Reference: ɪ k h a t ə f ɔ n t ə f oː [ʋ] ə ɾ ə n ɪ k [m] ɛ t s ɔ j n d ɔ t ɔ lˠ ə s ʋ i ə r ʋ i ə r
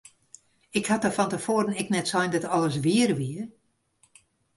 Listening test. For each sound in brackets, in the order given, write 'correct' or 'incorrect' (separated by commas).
incorrect, incorrect